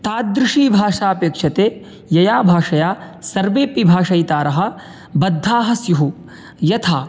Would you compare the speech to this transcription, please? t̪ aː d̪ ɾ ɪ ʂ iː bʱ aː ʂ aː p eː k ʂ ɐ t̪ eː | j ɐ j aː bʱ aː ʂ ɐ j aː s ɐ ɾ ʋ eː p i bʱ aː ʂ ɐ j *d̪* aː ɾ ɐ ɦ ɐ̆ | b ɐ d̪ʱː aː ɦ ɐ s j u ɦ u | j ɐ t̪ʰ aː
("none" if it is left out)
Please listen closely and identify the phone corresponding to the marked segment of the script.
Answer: t̪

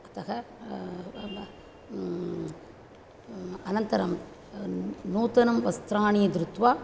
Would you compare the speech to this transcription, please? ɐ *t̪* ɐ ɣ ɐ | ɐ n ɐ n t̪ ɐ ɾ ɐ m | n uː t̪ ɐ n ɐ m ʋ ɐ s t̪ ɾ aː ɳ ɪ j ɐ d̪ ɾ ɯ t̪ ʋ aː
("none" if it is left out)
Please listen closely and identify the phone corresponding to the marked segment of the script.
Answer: t̪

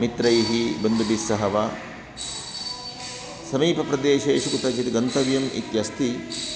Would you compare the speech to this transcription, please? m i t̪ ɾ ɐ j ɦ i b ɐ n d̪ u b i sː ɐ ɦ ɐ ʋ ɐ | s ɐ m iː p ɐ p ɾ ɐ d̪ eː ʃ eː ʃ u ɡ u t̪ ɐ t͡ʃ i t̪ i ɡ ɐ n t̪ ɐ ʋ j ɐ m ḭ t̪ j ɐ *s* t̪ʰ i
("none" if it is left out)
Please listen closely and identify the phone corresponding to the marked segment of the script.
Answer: s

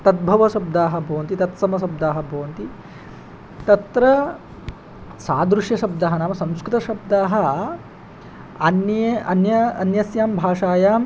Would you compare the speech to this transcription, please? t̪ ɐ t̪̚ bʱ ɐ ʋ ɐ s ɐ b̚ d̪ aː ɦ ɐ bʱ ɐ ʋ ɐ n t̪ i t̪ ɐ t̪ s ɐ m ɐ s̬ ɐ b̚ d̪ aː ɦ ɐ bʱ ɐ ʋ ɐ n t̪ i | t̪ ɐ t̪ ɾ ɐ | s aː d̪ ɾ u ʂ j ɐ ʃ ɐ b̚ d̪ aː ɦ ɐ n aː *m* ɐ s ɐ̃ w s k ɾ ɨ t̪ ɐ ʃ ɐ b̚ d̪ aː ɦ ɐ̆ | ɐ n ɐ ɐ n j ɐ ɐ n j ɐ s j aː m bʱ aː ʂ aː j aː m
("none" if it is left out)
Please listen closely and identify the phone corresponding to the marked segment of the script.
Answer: m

